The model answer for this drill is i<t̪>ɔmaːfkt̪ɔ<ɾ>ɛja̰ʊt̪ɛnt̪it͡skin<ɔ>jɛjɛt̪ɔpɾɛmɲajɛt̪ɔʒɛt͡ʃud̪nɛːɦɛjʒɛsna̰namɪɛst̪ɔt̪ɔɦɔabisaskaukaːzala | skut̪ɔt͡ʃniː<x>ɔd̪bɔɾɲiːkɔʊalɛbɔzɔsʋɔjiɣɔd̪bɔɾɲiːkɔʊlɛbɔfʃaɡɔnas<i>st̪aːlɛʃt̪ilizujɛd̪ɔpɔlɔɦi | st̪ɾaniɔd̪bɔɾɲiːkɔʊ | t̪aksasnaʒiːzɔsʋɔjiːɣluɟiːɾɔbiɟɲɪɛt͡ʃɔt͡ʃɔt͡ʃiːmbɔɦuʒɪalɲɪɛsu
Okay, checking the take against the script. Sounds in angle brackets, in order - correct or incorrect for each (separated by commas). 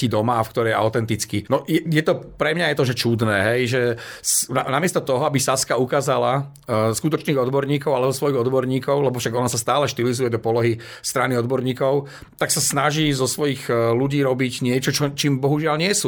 incorrect, correct, correct, incorrect, incorrect